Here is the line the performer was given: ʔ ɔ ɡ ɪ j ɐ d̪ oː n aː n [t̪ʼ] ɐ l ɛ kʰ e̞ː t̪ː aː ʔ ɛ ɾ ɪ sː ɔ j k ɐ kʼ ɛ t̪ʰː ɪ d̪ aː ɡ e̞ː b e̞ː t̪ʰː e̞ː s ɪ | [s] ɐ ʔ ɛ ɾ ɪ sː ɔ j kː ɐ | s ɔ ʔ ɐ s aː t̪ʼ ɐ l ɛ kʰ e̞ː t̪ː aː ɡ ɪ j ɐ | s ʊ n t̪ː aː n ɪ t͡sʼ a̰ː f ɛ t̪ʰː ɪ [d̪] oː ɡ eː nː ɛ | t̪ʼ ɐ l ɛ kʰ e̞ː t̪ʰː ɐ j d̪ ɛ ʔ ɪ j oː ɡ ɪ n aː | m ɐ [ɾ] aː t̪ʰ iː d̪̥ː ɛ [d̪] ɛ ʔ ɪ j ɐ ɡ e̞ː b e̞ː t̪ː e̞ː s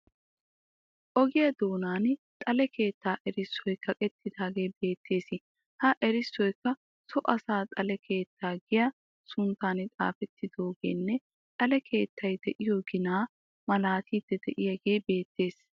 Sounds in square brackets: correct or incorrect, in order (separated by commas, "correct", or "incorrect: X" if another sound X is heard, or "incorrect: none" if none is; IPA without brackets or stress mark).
correct, incorrect: h, correct, incorrect: l, correct